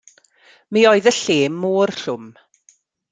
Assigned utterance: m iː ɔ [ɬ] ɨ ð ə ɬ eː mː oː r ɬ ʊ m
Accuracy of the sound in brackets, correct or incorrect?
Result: incorrect